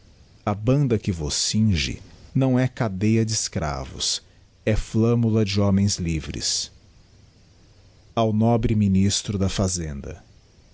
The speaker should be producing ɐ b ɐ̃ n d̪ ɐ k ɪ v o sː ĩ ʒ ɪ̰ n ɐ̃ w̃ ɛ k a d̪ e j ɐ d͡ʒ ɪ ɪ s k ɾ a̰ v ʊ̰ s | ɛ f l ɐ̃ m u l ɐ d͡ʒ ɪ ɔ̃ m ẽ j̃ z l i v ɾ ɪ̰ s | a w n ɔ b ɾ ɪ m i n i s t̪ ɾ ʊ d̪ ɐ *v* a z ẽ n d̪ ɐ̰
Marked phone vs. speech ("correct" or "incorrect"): incorrect